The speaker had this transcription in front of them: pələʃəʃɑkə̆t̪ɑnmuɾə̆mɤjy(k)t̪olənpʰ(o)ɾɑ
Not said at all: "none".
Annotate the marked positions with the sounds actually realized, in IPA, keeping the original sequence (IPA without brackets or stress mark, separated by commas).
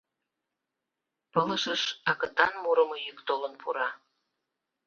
k, u